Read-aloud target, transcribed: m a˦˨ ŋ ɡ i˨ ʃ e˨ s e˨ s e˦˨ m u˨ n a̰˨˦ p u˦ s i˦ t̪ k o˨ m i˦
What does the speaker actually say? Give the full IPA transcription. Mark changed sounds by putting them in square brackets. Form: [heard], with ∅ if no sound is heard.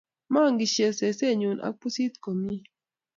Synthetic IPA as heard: m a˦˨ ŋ ɡ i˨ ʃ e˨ s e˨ s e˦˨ [ɲ] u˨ n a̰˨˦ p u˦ s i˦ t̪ k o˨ m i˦